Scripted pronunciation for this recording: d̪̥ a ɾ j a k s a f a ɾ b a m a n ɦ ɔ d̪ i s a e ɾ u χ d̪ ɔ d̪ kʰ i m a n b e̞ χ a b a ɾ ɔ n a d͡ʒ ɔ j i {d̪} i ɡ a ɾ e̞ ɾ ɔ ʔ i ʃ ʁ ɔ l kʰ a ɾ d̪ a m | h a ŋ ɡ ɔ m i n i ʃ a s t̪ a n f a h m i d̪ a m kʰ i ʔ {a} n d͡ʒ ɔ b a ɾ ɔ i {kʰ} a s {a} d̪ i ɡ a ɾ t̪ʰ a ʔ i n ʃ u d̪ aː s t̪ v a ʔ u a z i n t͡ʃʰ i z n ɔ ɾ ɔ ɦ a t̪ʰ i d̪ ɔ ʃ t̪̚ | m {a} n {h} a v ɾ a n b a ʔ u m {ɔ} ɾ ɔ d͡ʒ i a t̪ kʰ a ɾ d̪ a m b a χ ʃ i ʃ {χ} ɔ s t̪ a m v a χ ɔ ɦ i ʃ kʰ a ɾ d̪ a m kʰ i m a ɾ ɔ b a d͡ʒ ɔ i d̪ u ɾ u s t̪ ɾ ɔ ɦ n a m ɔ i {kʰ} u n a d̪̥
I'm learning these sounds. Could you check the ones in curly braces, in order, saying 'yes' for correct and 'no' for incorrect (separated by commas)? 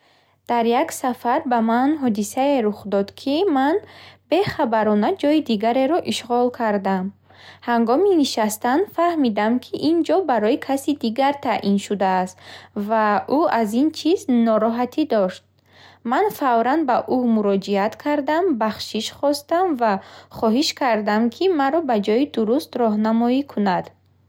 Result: yes, no, yes, no, yes, no, no, yes, yes